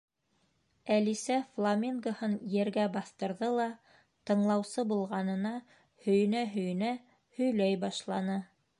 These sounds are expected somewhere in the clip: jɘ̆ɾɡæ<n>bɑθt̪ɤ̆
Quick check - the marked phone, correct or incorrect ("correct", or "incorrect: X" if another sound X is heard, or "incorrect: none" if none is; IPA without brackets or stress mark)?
incorrect: none